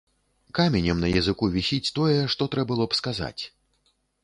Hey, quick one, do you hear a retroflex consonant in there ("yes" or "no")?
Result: yes